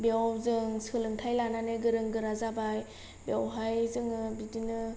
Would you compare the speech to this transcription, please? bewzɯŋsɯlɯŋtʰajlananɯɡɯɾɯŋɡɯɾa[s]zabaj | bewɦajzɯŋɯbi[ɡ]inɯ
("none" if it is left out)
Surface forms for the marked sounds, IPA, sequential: none, d

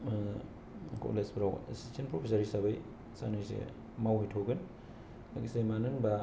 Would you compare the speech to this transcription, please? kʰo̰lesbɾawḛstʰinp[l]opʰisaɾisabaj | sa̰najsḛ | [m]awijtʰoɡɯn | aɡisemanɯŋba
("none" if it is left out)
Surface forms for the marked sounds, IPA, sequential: ɾ, m

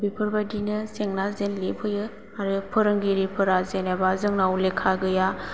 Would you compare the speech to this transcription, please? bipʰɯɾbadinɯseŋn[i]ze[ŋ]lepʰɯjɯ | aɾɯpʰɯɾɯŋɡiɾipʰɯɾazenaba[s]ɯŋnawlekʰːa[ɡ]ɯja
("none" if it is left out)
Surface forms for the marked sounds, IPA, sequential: a, n, z, ɡ

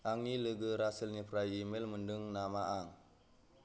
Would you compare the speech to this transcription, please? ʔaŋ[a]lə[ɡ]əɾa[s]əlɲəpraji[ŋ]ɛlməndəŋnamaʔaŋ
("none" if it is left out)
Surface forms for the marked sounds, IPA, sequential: i, ɡ, s, m

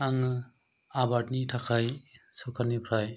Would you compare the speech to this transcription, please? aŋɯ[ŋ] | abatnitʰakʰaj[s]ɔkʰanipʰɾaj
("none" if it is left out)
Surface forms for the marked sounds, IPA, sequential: none, s

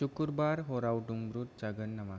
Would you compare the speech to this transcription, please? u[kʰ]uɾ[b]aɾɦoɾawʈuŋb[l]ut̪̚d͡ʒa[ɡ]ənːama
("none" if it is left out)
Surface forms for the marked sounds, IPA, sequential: k, b, ɾ, ɡ

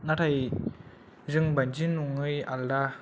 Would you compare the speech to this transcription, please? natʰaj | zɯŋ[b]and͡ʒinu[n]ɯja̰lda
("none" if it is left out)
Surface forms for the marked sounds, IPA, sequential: b, ŋ

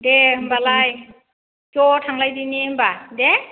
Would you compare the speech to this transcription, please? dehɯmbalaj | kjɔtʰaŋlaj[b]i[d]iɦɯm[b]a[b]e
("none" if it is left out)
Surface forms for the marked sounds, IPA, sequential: d, n, b, d

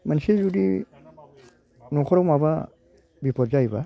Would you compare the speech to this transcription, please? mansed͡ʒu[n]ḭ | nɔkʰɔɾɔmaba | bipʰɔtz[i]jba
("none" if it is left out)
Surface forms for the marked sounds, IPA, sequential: d, a

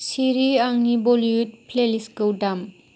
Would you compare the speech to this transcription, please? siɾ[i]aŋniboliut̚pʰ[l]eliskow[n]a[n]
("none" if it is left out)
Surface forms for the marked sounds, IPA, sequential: i, l, d, m

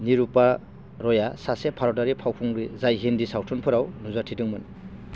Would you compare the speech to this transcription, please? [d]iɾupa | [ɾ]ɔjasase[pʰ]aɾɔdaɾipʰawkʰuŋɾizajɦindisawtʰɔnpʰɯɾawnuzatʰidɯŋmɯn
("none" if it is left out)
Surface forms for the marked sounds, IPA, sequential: n, ɾ, pʰ

